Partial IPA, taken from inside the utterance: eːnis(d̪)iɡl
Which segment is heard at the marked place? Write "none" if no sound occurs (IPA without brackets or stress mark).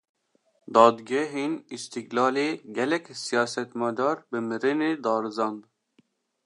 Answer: t̪